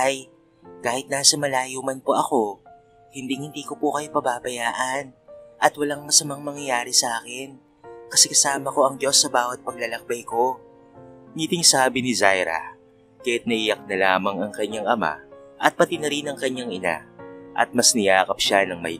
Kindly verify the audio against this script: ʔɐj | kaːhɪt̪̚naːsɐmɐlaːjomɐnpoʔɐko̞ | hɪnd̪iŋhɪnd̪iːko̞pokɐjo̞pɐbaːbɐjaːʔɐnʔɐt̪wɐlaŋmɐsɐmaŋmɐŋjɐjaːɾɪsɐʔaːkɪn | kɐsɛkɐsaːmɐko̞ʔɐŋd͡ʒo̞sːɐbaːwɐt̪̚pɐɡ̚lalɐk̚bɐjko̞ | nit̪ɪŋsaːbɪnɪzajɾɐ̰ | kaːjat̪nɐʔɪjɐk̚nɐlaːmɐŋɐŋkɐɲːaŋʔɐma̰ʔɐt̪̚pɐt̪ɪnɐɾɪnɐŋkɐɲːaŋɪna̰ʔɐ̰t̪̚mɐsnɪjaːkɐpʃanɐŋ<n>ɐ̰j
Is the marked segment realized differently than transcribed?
yes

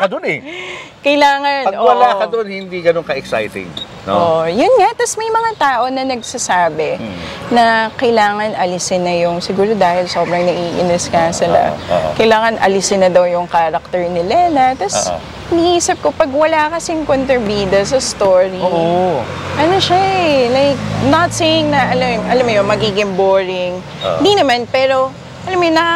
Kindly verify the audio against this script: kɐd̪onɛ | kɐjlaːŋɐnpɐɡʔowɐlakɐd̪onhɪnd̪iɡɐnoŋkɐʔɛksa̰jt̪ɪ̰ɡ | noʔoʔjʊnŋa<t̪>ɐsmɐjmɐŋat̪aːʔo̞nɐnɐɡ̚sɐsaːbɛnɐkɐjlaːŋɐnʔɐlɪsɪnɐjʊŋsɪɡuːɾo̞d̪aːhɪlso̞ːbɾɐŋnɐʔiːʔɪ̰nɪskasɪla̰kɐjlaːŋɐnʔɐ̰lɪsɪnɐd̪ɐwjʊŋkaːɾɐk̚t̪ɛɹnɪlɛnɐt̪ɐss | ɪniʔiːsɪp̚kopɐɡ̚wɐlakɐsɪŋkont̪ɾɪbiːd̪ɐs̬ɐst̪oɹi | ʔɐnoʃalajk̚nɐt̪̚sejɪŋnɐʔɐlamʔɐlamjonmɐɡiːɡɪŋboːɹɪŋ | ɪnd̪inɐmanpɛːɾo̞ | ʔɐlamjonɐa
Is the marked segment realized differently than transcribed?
no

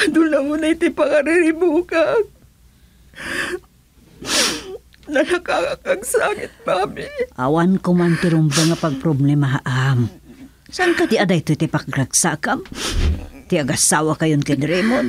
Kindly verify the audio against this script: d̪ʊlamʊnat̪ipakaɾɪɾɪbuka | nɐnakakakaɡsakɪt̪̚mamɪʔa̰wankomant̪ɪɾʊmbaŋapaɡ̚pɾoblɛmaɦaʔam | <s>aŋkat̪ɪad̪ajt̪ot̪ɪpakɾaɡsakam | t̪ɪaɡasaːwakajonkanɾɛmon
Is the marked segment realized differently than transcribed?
no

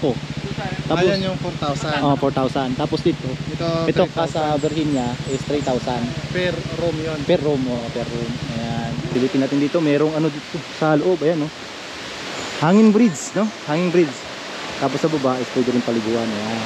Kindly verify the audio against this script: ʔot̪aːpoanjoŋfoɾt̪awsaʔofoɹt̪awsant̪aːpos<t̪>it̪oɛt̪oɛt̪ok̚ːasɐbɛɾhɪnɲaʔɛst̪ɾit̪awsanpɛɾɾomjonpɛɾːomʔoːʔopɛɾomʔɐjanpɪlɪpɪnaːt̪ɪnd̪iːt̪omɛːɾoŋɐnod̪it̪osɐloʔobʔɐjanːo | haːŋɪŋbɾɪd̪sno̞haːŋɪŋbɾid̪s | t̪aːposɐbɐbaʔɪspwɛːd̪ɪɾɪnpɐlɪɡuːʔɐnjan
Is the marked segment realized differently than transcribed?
yes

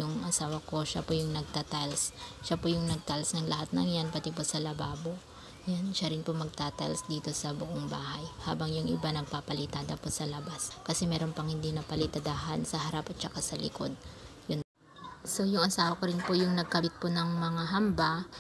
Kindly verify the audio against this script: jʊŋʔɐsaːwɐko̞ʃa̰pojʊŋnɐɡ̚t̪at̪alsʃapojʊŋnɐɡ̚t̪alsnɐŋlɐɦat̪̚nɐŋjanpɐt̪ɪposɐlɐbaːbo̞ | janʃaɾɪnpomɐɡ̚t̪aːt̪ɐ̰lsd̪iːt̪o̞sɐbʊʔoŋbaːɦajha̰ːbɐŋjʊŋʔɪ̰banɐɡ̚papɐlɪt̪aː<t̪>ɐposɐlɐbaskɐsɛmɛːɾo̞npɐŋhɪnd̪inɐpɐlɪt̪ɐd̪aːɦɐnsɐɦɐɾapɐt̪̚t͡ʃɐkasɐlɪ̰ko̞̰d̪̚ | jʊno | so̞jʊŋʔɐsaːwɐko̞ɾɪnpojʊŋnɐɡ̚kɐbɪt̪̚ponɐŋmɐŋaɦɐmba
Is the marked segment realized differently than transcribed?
yes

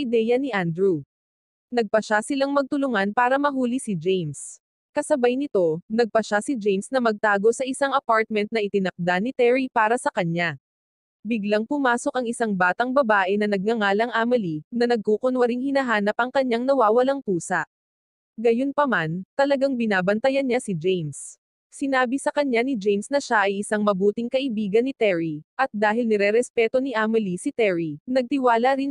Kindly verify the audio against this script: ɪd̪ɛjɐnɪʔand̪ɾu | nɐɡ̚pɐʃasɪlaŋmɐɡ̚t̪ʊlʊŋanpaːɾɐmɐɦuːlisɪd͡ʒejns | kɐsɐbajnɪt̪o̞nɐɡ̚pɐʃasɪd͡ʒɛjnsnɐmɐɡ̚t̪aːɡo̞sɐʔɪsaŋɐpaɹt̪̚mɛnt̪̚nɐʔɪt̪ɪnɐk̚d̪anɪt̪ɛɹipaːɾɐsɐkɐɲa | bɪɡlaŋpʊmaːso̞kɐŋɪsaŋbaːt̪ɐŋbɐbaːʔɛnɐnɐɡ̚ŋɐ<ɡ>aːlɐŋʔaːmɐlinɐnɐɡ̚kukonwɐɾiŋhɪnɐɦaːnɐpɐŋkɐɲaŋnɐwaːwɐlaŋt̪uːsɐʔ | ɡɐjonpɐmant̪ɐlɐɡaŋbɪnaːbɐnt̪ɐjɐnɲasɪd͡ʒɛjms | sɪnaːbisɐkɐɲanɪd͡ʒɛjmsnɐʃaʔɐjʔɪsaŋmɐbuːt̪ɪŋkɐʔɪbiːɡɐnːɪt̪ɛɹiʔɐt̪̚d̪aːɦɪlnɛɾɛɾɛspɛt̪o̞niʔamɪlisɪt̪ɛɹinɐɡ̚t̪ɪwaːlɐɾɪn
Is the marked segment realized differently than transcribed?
yes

